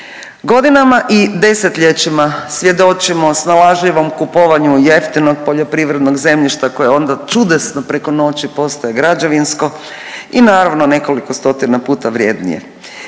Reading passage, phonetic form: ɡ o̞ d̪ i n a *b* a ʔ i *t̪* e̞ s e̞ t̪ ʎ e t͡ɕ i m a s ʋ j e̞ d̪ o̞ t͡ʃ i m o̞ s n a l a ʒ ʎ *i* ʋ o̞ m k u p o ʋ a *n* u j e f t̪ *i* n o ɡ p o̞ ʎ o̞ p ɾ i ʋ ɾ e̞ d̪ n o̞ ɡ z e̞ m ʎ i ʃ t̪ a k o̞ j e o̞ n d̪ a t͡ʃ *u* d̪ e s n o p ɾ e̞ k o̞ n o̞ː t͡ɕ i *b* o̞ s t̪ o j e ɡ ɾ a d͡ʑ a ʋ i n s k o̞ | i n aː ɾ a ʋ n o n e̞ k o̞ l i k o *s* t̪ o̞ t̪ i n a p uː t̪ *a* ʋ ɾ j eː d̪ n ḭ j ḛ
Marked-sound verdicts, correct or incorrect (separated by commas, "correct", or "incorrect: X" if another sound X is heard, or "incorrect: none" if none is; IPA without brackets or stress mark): incorrect: m, incorrect: d̪, correct, incorrect: ɲ, correct, correct, incorrect: p, correct, correct